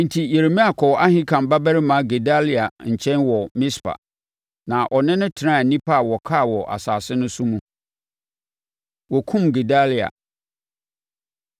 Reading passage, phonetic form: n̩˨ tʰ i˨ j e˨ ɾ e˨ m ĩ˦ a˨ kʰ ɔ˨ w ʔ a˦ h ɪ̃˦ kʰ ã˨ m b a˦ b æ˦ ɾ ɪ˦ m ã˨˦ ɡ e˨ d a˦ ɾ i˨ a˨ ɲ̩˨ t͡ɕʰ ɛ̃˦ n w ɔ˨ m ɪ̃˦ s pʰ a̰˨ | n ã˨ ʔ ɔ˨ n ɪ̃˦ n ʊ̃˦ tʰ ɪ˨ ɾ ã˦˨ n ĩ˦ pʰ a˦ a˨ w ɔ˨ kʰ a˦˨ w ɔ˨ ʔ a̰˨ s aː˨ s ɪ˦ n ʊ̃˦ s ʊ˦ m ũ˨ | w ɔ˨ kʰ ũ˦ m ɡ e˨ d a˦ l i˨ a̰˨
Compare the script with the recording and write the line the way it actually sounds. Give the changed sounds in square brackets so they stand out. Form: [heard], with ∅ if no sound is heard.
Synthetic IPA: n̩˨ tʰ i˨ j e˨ ɾ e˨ m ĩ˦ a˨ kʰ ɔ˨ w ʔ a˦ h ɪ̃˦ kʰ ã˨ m b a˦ b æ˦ ɾ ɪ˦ m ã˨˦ ɡ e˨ d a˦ [l] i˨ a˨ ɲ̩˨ t͡ɕʰ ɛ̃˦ n w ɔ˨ m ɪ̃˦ s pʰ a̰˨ | n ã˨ ʔ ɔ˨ n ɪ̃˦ n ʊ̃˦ tʰ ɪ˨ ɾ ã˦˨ n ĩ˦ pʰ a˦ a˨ w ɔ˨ kʰ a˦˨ w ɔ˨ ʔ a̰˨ s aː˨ s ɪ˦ n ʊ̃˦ s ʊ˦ m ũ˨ | w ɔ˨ kʰ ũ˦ m ɡ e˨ d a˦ l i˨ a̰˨